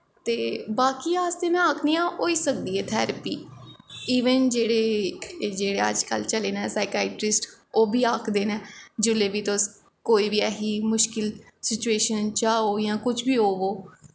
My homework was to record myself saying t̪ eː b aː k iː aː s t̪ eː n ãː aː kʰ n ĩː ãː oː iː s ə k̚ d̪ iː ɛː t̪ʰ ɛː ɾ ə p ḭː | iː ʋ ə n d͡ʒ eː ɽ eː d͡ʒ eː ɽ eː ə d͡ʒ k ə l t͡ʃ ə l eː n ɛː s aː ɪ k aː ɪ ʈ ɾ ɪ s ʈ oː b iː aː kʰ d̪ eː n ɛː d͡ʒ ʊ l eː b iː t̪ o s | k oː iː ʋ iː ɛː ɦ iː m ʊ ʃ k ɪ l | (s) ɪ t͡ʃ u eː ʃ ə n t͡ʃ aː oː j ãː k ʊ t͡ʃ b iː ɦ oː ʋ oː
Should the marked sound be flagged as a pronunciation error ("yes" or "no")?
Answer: no